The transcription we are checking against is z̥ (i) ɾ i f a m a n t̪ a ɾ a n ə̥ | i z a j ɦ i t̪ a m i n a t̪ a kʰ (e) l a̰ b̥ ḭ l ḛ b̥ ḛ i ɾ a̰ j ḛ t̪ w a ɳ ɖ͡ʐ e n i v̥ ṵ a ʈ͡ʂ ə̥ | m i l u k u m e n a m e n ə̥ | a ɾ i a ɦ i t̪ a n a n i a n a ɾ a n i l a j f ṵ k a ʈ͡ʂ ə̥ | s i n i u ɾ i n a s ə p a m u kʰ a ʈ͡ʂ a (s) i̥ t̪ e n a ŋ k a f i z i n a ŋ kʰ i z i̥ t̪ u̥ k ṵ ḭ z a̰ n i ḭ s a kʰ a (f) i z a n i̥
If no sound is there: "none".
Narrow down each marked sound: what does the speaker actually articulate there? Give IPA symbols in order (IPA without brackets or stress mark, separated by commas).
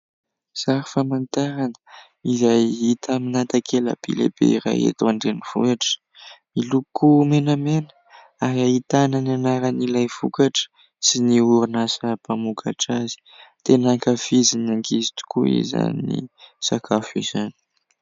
a, e, z, f